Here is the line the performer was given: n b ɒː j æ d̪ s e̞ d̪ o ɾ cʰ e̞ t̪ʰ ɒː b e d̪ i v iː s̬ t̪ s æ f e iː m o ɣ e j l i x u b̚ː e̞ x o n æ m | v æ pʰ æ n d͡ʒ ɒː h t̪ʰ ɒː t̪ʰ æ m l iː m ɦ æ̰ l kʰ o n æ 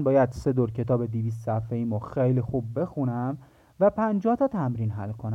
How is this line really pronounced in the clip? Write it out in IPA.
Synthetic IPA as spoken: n b ɒː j æ d̪ s e̞ d̪ o ɾ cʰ e̞ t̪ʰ ɒː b e d̪ i v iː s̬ t̪ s æ f e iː m o x e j l i x u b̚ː e̞ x u n æ m | v æ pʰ æ n d͡ʒ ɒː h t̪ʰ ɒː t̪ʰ æ m ɾ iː n ɦ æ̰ l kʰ o n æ